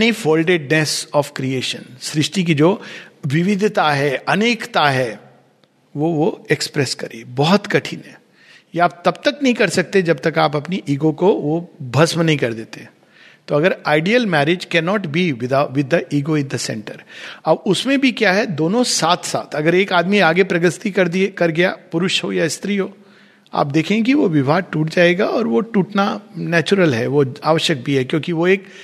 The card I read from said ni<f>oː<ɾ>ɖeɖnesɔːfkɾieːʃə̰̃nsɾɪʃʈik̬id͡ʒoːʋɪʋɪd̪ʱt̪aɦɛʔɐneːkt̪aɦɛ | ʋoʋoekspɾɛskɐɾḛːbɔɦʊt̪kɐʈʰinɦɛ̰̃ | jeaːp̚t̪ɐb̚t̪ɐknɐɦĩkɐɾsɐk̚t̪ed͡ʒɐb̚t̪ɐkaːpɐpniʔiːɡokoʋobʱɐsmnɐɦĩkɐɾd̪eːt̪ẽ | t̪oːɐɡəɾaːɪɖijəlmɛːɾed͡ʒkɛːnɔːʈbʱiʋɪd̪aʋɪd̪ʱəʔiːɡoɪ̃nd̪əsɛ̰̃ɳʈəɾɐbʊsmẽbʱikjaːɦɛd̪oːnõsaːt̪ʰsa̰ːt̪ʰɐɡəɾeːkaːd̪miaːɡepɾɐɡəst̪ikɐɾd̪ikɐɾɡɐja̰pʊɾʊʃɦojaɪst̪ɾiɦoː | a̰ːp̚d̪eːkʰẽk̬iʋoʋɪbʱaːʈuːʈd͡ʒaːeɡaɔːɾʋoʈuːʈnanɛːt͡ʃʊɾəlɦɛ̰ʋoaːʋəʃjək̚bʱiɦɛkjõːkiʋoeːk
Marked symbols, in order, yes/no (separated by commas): yes, no